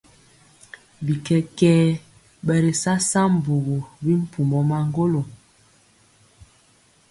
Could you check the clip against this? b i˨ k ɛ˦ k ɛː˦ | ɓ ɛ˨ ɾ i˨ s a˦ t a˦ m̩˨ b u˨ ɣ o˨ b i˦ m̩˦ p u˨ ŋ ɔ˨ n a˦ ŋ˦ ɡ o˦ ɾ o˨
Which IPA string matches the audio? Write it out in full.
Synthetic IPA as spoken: b i˨ k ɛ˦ k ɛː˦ | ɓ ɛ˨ ɾ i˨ s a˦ s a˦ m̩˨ b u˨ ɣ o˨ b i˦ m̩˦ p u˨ m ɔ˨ m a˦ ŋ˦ ɡ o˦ l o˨